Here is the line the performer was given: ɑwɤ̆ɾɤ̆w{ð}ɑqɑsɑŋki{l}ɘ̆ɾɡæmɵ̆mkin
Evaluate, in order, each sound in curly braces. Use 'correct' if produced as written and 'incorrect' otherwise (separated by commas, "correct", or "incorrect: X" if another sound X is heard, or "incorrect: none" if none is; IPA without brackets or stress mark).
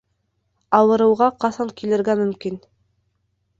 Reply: incorrect: ʁ, correct